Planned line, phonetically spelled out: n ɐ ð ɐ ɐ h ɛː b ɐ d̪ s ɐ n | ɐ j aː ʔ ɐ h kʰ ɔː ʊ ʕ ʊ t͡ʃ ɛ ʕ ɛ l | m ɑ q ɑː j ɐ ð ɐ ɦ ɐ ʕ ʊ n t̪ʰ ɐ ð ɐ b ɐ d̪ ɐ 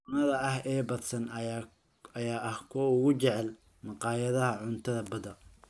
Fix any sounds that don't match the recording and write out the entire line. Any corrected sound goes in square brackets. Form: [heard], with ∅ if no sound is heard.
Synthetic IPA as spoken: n ɐ ð ɐ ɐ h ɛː b ɐ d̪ s ɐ n | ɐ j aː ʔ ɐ h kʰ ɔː ʊ [ɣ] ʊ t͡ʃ ɛ ʕ ɛ l | m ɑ q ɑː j ɐ ð ɐ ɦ ɐ ʕ ʊ n t̪ʰ ɐ ð ɐ b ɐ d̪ ɐ